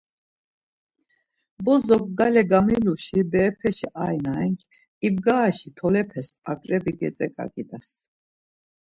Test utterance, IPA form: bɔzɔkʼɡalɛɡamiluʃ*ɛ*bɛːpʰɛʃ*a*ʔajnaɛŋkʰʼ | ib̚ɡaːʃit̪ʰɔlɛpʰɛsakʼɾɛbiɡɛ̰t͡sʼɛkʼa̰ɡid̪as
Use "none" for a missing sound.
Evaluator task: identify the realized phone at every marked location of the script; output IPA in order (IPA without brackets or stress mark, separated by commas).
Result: i, i